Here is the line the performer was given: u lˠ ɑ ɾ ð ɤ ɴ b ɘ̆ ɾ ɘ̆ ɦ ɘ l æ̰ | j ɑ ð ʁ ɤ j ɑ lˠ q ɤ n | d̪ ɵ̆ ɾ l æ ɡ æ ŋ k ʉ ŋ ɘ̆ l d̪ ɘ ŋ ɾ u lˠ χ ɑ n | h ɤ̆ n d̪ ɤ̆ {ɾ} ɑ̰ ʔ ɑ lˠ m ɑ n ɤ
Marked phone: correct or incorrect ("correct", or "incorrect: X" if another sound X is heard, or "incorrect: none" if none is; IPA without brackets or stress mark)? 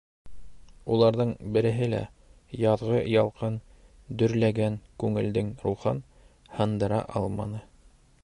correct